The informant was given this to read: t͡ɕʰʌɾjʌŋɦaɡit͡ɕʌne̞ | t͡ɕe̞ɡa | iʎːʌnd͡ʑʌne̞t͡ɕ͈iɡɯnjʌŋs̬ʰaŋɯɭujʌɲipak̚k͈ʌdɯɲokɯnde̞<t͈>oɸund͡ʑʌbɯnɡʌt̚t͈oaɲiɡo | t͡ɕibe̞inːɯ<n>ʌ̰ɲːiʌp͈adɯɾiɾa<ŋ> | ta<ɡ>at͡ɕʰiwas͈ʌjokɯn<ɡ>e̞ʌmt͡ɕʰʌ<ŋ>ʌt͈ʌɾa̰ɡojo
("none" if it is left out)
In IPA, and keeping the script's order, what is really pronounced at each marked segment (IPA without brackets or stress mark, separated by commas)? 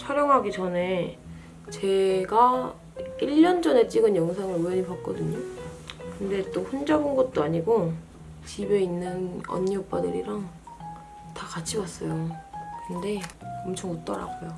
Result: t͈, n, ŋ, k, d, ŋ